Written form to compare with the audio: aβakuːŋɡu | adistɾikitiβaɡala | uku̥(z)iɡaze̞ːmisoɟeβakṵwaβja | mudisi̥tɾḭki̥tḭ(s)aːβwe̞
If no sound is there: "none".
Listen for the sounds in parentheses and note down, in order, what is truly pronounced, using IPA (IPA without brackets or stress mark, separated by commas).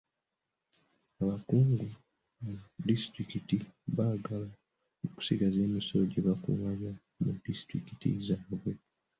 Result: s, z